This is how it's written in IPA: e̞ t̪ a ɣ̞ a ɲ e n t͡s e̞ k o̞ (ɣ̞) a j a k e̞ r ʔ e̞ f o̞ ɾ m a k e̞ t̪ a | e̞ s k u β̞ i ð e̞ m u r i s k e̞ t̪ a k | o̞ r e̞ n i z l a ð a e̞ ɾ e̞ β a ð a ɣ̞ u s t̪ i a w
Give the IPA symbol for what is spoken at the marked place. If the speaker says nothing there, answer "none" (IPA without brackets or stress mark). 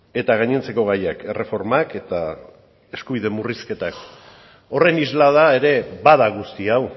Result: ɣ̞